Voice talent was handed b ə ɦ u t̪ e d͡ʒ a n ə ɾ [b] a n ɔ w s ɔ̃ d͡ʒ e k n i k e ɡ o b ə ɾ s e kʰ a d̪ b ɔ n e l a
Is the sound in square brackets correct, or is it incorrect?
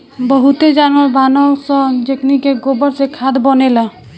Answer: correct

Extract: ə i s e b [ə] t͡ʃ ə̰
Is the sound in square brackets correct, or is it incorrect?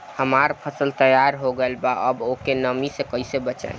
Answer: correct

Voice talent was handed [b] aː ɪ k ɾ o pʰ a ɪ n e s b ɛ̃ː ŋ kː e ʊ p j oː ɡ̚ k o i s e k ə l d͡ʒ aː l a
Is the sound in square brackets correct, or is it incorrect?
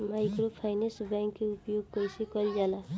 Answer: incorrect: m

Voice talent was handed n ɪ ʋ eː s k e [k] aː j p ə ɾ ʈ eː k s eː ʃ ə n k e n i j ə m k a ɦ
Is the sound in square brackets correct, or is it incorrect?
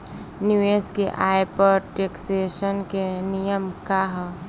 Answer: incorrect: ʔ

